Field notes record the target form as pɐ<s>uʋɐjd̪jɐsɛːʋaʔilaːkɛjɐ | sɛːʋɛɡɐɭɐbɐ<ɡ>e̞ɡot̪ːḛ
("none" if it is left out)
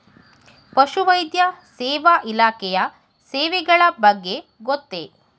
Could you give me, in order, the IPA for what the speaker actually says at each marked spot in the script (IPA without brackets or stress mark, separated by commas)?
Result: ʃ, ɡː